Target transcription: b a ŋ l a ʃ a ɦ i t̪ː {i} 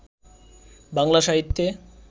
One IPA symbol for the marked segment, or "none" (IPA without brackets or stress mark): e